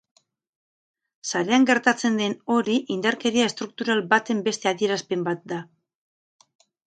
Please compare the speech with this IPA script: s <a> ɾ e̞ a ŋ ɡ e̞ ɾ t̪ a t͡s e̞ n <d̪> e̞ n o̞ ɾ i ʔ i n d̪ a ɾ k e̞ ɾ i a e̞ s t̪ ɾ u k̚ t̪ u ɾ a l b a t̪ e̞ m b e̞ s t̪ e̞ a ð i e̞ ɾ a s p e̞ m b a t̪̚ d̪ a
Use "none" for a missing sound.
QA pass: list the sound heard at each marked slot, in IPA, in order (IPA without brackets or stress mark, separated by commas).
a, d̪